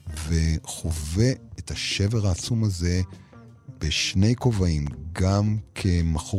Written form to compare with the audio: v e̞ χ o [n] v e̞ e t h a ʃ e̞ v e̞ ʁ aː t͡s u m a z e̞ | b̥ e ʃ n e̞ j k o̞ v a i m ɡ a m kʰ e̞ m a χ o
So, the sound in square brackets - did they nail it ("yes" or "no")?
no